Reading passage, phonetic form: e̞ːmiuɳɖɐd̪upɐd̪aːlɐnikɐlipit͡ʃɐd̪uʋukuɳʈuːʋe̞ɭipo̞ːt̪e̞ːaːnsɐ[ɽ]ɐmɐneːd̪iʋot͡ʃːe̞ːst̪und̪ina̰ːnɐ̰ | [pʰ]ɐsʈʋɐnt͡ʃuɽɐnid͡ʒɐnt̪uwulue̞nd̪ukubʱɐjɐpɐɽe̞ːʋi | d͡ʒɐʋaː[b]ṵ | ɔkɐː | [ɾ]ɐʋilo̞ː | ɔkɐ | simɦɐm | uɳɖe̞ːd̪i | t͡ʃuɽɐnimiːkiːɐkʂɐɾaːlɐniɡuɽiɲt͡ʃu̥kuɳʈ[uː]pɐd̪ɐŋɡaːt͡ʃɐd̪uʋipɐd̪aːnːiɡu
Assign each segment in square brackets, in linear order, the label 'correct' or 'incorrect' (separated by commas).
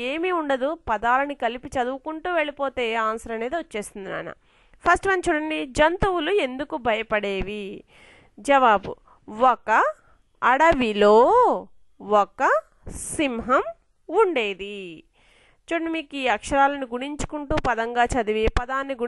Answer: incorrect, correct, correct, incorrect, correct